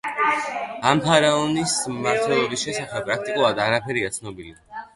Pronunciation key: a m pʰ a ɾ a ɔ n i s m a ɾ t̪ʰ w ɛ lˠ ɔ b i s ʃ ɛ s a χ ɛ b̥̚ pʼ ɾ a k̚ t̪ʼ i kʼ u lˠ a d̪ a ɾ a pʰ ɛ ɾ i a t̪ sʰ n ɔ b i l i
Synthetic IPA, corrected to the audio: a m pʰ a ɾ a ɔ n i s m a ɾ t̪ʰ w ɛ lˠ ɔ b i s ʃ ɛ s a χ ɛ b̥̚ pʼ ɾ a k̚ t̪ʼ i kʼ u lˠ a d̪ a ɾ a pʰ ɛ ɾ i a t̪ sʰ n ɔ b i l i

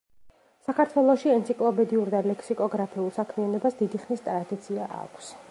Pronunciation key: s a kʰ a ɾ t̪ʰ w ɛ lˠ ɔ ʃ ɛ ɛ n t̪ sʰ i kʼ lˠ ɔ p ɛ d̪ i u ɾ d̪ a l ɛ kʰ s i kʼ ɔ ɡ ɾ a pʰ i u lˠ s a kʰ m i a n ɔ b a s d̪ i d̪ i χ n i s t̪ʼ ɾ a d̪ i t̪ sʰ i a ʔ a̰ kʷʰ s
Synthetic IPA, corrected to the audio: s a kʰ a ɾ t̪ʰ w ɛ lˠ ɔ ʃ i ɛ n t̪ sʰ i kʼ lˠ ɔ p ɛ d̪ i u ɾ d̪ a l ɛ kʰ s i kʼ ɔ ɡ ɾ a pʰ i u lˠ s a kʰ m i a n ɔ b a s d̪ i d̪ i χ n i s t̪ʼ ɾ a d̪ i t̪ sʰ i a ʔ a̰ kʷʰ s

